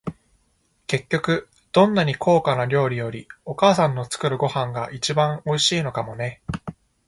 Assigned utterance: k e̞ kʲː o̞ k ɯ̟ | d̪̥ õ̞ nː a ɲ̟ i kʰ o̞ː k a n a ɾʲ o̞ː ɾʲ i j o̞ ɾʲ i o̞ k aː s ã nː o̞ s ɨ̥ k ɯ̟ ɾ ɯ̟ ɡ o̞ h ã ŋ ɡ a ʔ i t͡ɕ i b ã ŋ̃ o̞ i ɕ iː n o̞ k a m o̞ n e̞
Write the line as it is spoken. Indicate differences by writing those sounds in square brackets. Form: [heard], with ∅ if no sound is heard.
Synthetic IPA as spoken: k e̞ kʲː o̞ k ɯ̟ | d̪̥ õ̞ nː a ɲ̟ i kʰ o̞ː k a n a ɾʲ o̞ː ɾʲ i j o̞ ɾʲ i o̞ k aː s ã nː o̞ [t͡s] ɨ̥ k ɯ̟ ɾ ɯ̟ ɡ o̞ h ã ŋ ɡ a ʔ i t͡ɕ i b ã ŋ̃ o̞ i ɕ iː n o̞ k a m o̞ n e̞

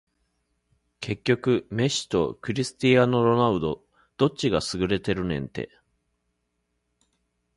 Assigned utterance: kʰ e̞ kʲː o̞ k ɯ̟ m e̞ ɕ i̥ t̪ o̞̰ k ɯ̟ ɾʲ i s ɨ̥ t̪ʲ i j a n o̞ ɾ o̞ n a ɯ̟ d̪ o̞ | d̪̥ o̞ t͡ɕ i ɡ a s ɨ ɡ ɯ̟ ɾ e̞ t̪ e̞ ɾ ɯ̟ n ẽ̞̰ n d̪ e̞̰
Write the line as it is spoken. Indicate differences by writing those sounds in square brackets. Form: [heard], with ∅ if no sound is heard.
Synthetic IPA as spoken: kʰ e̞ kʲː o̞ k ɯ̟ m e̞ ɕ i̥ t̪ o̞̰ k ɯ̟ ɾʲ i s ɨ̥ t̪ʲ i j a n o̞ ɾ o̞ n a ɯ̟ d̪ o̞ | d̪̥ o̞ t͡ɕ i ɡ a s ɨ ɡ ɯ̟ ɾ e̞ t̪ e̞ ɾ ɯ̟ n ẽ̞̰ n [t̪] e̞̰

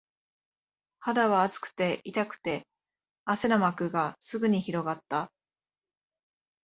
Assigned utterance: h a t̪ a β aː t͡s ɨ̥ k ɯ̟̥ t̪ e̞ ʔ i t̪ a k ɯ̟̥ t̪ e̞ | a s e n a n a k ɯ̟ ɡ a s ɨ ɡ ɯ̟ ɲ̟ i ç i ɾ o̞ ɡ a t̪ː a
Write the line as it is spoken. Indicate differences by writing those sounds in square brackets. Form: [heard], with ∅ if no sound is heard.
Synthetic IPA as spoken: h a [d̪] a β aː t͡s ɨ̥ k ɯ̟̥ t̪ e̞ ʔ i t̪ a k ɯ̟̥ t̪ e̞ | a s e n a [m] a k ɯ̟ ɡ a s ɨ ɡ ɯ̟ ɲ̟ i ç i ɾ o̞ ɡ a t̪ː a

